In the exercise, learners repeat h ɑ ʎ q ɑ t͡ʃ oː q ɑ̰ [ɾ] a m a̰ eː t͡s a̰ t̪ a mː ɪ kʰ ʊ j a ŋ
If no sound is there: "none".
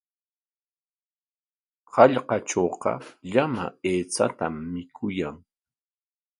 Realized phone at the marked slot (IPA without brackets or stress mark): ʎ